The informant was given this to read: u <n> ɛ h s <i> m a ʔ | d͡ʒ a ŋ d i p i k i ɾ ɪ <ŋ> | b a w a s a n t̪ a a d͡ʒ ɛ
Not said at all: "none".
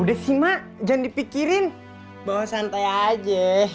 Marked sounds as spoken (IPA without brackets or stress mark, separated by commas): d, i, n